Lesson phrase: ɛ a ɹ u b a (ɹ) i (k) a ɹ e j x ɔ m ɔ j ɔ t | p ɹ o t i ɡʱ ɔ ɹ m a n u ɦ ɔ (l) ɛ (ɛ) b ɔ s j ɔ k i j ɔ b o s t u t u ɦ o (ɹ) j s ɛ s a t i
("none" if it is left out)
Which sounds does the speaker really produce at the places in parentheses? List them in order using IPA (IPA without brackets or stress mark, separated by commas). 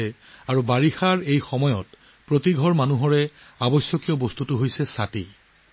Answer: ɹ, x, ɹ, a, none